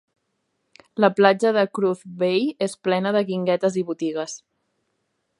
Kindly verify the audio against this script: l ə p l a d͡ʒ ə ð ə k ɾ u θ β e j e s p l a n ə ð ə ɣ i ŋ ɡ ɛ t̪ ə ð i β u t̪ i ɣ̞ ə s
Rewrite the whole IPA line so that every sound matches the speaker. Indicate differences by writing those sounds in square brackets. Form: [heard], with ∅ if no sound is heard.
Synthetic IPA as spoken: l ə p l a d͡ʒ ə ð ə k ɾ u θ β e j e s p l [ɛ] n ə ð ə ɣ i ŋ ɡ ɛ t̪ ə [z] i β u t̪ i ɣ̞ ə s